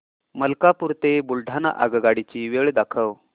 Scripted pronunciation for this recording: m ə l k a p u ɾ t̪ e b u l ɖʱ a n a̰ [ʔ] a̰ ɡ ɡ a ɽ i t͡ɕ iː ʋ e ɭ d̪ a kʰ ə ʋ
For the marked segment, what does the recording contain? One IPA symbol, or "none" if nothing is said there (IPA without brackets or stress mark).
ʔ